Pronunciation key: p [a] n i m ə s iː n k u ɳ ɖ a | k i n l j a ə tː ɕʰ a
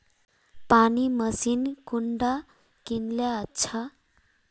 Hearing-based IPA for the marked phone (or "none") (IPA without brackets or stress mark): a